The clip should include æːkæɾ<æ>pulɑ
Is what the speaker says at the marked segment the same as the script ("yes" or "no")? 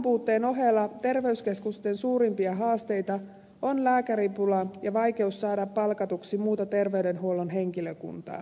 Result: no